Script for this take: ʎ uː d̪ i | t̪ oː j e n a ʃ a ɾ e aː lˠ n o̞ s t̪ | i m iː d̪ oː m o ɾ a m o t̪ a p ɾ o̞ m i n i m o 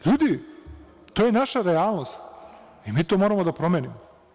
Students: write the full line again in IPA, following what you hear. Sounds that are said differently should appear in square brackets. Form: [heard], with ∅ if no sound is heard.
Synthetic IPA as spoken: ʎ uː d̪ i | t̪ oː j e n a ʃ a ɾ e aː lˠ n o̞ s t̪ | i m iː [t̪] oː m o ɾ a m o [d̪] a p ɾ o̞ m [e] n i m o